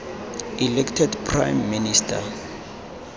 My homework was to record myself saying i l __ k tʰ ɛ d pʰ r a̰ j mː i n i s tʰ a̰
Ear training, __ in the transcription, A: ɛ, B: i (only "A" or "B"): A